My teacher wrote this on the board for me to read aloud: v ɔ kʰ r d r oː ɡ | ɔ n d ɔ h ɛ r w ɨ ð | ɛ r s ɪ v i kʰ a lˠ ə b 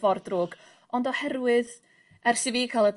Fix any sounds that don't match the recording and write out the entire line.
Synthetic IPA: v ɔ r d r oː ɡ | ɔ n d ɔ h ɛ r w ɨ ð | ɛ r s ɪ v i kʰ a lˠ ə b